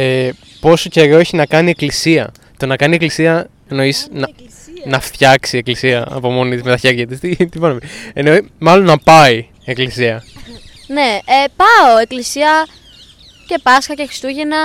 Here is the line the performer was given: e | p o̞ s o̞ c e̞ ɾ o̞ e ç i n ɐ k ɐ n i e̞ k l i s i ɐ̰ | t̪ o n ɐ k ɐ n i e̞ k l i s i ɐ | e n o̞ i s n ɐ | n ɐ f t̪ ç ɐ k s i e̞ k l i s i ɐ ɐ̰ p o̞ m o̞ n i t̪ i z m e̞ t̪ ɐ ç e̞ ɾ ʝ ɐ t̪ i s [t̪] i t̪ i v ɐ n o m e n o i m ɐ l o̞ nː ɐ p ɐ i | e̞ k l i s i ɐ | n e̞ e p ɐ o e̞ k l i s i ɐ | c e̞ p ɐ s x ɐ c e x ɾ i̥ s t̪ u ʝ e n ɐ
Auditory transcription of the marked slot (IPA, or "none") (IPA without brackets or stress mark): t̪